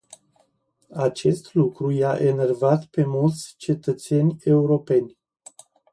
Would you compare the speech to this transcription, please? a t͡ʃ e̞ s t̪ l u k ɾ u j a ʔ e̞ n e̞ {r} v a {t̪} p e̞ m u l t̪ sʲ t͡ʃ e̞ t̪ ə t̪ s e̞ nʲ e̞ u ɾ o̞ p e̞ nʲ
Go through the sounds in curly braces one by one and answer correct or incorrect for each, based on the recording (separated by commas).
correct, correct